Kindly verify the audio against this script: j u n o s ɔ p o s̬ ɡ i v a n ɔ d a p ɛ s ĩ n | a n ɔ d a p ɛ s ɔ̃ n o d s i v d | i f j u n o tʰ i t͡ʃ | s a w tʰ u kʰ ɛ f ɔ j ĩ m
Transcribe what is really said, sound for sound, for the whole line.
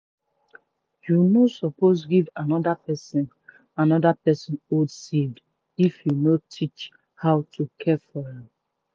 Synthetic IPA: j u n o s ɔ p o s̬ ɡ i v a n ɔ d a p ɛ s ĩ n | a n ɔ d a p ɛ s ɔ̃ n o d s i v d | i f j u n o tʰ i t͡ʃ | h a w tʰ u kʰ ɛ f ɔ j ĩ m